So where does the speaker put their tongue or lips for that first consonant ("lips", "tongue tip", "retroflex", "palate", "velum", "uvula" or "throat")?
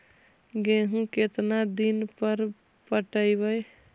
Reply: velum